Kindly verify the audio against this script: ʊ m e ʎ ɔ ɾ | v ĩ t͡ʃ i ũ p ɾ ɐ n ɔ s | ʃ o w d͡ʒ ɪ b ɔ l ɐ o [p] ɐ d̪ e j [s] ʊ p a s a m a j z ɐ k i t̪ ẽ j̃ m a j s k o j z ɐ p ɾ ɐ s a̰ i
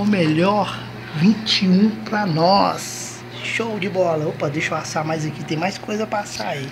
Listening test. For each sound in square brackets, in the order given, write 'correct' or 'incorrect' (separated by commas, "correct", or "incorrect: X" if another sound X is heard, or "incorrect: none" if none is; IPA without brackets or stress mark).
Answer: correct, incorrect: ʃ